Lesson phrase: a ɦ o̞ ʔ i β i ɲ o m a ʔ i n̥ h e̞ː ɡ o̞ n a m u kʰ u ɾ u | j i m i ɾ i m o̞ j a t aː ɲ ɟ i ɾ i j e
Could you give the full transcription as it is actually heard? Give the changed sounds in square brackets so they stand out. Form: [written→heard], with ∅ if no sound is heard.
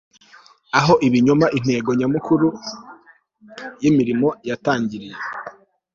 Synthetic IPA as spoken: a ɦ o̞ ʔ i β i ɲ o m a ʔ i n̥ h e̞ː ɡ o̞ [n→ɲ] a m u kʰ u ɾ u | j i m i ɾ i m o̞ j a t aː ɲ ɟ i ɾ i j e